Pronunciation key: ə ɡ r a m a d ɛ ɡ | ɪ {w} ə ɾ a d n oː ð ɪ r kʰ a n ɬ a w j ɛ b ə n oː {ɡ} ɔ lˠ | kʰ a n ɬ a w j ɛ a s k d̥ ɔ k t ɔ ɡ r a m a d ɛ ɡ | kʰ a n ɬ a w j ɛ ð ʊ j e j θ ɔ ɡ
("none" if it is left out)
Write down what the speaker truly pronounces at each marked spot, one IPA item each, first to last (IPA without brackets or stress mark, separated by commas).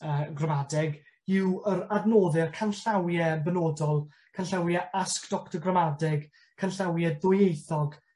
w, d